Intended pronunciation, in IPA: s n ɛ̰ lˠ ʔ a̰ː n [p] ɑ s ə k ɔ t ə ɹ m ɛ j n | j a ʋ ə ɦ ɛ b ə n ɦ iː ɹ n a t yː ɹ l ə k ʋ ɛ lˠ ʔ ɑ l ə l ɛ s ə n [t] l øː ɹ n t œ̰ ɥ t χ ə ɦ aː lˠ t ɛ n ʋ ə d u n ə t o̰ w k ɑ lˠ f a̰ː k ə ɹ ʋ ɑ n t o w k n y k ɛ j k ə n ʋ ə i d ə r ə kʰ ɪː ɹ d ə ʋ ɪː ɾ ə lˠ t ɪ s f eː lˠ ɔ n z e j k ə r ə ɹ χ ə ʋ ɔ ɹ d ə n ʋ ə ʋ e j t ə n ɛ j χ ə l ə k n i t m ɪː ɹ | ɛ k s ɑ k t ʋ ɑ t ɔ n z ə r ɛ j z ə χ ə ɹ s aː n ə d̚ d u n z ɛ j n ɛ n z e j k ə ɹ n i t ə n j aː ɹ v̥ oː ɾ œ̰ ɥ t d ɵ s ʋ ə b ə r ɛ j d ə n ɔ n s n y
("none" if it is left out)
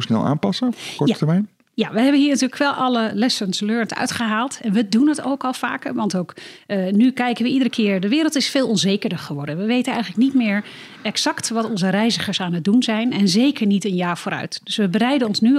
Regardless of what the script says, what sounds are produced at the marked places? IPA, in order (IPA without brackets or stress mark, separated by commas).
p, s